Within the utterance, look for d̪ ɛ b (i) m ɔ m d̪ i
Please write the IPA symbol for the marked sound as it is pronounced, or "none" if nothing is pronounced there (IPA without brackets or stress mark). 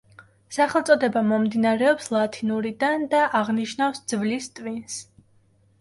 a